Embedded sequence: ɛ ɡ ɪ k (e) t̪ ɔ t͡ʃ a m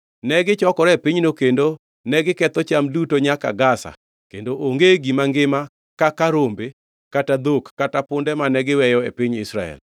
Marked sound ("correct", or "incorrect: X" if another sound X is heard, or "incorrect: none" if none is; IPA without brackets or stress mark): incorrect: ɛ